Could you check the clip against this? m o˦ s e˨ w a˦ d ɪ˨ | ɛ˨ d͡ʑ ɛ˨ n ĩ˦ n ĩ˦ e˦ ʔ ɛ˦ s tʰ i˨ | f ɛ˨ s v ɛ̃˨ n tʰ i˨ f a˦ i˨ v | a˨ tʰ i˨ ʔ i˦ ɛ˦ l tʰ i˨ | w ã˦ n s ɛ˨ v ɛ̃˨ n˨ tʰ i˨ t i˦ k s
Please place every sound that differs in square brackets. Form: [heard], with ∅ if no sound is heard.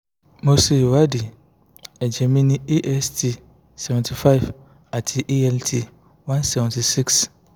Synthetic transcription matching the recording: m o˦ s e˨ w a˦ d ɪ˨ | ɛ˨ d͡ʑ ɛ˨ [m] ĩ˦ n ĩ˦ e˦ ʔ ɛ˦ s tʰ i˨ | [s] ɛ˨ [∅] v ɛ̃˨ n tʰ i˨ f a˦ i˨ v | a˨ tʰ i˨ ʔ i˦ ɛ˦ l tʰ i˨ | w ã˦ n s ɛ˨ v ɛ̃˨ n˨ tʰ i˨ [s] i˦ k s